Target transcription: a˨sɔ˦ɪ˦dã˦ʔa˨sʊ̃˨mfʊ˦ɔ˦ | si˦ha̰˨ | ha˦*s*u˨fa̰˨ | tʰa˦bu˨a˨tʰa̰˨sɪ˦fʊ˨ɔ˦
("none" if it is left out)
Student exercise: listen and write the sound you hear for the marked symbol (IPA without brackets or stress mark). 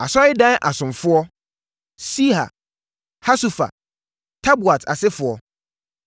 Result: s